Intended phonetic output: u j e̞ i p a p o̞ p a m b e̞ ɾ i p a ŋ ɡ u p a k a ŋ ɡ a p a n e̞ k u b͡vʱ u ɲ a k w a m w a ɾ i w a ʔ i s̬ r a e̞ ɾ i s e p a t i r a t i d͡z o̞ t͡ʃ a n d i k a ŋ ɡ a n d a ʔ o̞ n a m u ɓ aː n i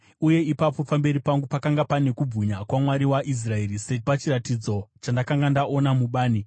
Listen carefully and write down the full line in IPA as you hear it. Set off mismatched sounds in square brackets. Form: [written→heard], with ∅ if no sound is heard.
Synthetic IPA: u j e̞ i p a p o̞ p a m b e̞ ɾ i p a ŋ ɡ u p a k a ŋ ɡ a p a n e̞ k u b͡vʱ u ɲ a k w a m w a ɾ i w a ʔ i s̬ r a e̞ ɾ i s e p a [t→t͡ʃ] i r a t i d͡z o̞ t͡ʃ a n d [i→a] k a ŋ ɡ a n d a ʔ o̞ n a m u ɓ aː n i